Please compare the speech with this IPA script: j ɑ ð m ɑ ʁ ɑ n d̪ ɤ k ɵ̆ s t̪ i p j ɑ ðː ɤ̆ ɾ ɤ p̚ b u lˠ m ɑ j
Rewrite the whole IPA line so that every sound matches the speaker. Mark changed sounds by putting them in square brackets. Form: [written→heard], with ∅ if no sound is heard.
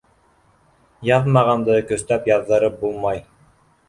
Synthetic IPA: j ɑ ð m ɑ ʁ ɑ n d̪ ɤ k ɵ̆ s t̪ [i→æ] p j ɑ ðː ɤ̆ ɾ ɤ p̚ b u lˠ m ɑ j